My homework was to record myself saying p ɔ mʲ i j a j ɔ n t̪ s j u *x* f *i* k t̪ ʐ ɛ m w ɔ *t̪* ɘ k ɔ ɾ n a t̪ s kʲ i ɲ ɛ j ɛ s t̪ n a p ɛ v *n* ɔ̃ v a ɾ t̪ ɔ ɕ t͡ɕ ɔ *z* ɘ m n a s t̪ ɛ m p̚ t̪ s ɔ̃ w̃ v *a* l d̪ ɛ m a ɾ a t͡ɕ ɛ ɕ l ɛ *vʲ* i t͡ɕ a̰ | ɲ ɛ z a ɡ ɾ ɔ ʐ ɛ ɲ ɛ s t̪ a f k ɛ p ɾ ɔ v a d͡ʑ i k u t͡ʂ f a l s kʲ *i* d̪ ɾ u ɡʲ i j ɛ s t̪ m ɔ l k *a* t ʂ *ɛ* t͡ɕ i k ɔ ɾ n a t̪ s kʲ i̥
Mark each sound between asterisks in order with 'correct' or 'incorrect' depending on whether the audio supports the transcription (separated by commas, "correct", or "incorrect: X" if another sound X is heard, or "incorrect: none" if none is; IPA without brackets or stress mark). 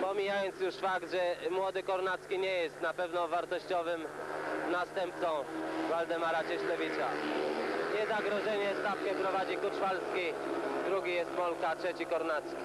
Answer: incorrect: ʂ, incorrect: a, incorrect: d̪, correct, incorrect: v, correct, correct, correct, correct, correct